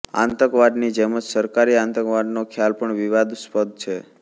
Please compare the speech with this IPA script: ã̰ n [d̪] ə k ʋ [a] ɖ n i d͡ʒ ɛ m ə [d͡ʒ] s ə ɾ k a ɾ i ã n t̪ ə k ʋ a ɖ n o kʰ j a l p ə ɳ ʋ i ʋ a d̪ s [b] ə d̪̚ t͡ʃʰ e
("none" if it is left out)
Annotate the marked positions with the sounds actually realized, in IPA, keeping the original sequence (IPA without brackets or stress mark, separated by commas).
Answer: t̪, a, d͡ʒ, p